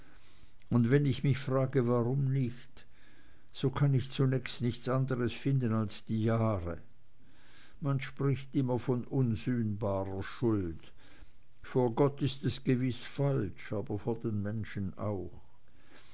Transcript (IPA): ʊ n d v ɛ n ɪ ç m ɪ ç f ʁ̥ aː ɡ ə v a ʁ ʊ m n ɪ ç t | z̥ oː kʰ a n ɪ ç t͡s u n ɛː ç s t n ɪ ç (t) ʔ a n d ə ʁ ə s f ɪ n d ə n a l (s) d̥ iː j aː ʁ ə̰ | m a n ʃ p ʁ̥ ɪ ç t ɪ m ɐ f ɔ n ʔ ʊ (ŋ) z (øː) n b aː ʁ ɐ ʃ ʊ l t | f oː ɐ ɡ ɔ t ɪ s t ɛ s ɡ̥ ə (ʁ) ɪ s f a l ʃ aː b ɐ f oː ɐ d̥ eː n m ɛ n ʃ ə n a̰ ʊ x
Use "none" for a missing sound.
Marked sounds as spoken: t͡s, s, n, yː, v

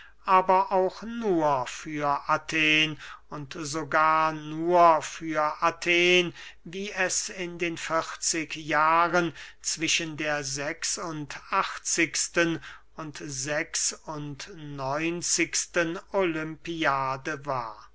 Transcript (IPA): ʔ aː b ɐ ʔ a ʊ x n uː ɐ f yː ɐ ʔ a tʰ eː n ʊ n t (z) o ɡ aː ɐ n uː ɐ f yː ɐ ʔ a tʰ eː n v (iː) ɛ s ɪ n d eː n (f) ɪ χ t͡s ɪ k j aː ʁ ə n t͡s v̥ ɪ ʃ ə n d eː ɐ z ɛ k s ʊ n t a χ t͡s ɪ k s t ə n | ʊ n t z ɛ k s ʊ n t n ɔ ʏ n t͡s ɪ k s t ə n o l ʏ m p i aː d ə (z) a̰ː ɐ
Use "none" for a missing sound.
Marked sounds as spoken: z, iː, f, v

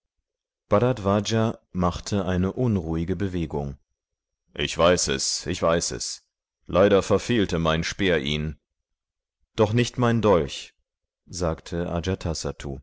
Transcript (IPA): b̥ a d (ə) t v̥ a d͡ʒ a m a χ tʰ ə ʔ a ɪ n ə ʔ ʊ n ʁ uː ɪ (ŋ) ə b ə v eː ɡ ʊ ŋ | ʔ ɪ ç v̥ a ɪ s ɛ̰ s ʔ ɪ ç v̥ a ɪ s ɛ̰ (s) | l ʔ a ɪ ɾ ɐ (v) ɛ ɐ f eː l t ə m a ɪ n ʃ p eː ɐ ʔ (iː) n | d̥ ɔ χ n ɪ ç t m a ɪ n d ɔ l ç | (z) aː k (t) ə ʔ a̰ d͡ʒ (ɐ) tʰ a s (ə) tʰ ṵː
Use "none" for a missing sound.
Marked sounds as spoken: a, ɡ, s, f, iː, z, tʰ, a, a

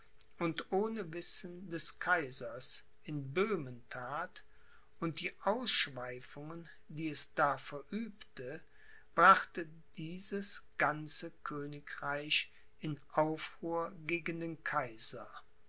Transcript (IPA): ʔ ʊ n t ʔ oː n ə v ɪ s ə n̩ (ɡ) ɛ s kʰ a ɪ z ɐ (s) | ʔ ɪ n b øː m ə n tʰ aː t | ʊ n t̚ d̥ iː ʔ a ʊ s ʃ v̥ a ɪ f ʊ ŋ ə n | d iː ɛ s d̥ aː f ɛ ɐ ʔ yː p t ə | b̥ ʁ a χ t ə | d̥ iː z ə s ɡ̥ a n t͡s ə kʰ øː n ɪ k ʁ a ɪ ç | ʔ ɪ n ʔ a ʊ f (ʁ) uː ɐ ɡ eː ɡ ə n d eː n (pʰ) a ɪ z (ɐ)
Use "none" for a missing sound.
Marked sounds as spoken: d, s, ʁ, kʰ, ɐ

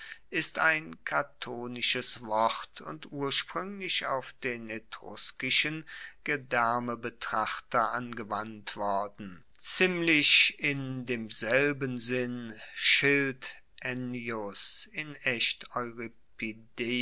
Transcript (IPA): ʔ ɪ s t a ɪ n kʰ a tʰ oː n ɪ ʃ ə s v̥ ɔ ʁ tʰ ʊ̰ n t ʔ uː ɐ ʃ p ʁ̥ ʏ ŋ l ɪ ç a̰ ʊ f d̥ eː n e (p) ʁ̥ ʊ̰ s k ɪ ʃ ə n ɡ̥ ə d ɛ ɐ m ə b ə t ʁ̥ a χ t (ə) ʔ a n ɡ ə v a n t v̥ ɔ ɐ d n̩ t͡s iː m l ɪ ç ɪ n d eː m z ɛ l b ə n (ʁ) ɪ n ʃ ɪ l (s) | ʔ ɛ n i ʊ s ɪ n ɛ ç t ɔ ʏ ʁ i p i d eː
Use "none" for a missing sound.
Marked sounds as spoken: t, ɐ, z, t

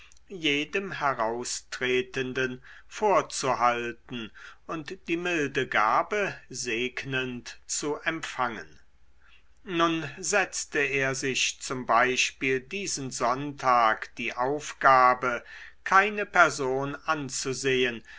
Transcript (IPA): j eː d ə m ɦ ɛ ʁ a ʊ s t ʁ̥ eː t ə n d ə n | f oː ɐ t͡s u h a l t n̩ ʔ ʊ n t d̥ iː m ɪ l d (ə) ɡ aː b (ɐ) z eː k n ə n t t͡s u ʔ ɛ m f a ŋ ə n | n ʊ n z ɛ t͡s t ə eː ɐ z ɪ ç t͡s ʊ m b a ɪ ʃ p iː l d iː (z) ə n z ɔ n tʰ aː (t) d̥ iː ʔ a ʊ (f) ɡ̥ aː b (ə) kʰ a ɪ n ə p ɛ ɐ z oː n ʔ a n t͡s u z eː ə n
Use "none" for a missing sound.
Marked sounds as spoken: ə, ə, z, k, f, ə

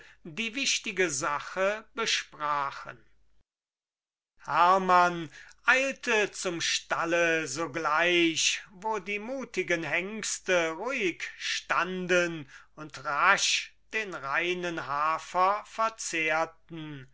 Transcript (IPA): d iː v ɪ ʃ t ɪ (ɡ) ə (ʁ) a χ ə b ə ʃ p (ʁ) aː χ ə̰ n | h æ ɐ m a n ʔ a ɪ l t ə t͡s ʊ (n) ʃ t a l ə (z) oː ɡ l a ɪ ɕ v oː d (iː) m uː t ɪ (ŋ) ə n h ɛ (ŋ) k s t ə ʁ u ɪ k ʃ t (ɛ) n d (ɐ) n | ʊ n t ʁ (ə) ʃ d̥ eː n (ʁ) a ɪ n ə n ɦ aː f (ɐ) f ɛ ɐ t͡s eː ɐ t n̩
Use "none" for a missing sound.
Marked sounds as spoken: ɡ, z, ʁ, m, z, iː, ɡ, ŋ, a, ə, a, ʁ, ɐ

